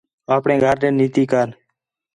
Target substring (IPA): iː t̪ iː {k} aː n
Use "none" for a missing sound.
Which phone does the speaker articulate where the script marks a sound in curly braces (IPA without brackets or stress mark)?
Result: k